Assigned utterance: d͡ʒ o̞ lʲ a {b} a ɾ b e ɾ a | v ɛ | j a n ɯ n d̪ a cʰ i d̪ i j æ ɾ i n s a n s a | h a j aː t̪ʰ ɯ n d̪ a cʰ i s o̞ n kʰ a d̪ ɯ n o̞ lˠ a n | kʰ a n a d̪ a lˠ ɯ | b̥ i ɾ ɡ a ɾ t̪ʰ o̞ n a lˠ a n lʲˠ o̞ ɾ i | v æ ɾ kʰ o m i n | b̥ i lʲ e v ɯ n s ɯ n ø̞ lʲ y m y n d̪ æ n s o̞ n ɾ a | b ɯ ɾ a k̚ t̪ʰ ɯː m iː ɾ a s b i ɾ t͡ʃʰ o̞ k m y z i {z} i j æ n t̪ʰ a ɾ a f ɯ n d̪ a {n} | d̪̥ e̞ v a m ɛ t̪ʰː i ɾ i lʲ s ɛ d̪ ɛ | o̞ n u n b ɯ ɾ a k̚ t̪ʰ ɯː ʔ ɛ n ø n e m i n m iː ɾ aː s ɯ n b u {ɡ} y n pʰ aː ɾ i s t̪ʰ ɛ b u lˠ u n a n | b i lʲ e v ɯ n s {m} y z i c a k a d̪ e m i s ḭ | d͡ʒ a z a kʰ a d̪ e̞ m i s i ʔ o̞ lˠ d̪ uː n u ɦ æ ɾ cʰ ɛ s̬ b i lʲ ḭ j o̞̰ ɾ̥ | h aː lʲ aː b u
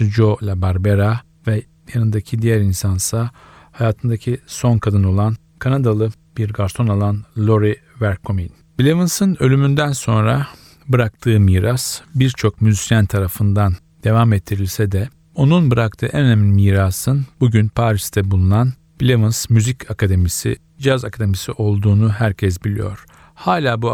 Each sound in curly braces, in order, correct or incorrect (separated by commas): correct, incorrect, correct, incorrect, correct